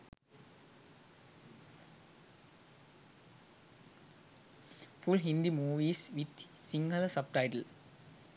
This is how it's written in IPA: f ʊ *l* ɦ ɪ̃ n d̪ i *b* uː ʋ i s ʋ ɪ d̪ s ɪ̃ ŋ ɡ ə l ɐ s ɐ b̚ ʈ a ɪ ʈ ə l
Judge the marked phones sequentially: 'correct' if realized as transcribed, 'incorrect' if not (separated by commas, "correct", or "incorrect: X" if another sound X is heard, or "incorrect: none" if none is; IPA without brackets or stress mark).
correct, incorrect: m